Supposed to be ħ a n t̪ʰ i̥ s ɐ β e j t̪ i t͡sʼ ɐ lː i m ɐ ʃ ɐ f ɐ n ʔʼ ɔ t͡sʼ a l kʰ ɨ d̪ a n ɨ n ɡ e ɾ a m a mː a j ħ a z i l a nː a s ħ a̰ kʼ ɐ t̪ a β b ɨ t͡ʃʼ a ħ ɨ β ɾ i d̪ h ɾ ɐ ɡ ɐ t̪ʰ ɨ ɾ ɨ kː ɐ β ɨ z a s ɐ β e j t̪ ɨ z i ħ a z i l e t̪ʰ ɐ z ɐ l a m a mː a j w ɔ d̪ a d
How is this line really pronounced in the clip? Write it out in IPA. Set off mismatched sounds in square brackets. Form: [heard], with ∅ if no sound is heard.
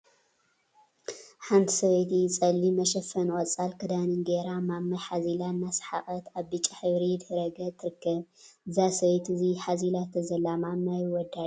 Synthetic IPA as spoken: ħ a n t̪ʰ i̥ s ɐ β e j t̪ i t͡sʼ ɐ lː i m ɐ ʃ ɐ f ɐ n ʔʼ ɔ t͡sʼ a l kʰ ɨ d̪ a n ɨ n ɡ e ɾ a m a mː a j ħ a z i l a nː a s ħ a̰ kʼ ɐ t̪ a β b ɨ t͡ʃʼ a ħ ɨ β ɾ i d̪ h ɾ ɐ ɡ ɐ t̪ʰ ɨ ɾ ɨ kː ɐ β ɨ z a s ɐ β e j t̪ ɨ z i ħ a z i l [a] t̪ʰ ɐ z ɐ l a m a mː a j w ɔ d̪ a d